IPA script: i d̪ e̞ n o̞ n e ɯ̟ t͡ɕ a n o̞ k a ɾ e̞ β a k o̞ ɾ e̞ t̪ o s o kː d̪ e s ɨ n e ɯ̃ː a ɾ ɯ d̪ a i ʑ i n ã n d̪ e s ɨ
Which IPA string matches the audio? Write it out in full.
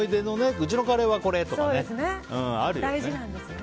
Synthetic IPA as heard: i d̪ e̞ n o̞ n e ɯ̟ t͡ɕ i n o̞ k a ɾ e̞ β a k o̞ ɾ e̞ t̪ o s o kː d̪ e s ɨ n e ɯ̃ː a ɾ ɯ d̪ a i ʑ i n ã n d̪ e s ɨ